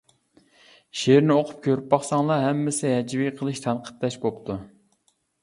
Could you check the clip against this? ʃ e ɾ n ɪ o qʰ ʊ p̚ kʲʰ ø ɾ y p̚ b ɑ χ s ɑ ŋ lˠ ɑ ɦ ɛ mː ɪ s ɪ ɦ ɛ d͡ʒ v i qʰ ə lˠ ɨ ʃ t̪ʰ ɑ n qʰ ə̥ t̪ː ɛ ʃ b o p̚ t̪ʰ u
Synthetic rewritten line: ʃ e ɾ n ɪ o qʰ ʊ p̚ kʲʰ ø ɾ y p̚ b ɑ χ s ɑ ŋ lˠ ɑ ɦ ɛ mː ɪ s ɪ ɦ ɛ d͡ʒ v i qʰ ə lˠ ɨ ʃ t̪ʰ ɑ n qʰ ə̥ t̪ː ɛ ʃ b o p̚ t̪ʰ u